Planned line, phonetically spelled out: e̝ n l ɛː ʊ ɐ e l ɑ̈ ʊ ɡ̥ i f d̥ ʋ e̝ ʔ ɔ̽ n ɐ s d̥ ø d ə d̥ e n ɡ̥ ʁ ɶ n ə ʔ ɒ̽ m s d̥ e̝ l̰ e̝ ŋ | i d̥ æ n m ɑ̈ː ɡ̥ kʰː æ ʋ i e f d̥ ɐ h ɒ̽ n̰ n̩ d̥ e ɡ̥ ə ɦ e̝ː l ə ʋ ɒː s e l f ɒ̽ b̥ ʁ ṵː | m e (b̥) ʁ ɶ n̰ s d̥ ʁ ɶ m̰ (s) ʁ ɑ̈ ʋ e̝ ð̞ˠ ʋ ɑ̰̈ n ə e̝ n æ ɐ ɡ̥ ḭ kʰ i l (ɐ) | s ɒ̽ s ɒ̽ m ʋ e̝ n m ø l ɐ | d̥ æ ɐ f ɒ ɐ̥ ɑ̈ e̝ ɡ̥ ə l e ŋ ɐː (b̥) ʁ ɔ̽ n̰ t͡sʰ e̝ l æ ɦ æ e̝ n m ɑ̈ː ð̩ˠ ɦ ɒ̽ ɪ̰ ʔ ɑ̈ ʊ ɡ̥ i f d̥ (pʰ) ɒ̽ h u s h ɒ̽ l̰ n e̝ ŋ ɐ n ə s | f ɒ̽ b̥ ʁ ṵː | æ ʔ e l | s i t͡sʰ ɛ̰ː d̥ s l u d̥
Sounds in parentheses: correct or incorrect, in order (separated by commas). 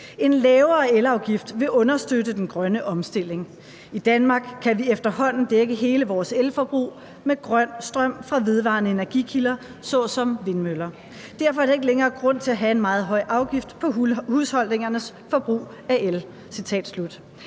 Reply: incorrect, incorrect, correct, incorrect, correct